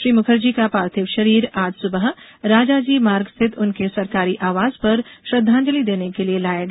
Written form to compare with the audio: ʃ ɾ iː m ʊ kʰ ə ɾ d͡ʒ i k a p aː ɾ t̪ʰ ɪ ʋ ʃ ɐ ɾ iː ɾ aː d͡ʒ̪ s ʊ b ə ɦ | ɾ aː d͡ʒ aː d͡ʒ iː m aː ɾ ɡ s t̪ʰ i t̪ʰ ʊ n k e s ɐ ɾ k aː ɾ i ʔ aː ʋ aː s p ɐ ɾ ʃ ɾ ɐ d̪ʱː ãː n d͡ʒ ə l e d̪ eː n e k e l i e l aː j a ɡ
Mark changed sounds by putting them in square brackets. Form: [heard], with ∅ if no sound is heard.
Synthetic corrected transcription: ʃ ɾ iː m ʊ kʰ ə ɾ d͡ʒ i k a p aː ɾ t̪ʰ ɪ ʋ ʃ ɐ ɾ iː ɾ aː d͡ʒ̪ s ʊ b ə ɦ | ɾ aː d͡ʒ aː d͡ʒ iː m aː ɾ ɡ s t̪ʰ [ɪ] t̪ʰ ʊ n k e s ɐ ɾ k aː ɾ i ʔ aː ʋ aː [z] p ɐ ɾ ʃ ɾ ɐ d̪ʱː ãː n d͡ʒ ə l [i] d̪ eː n e k e l i e l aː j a ɡ